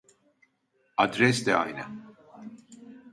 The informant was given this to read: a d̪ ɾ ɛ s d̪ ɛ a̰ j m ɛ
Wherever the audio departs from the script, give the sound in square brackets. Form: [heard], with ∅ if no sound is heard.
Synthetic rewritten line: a d̪ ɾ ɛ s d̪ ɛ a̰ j [n] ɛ